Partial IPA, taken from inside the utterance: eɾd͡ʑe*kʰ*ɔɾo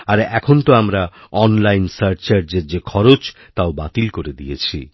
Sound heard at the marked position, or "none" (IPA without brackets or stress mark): kʰ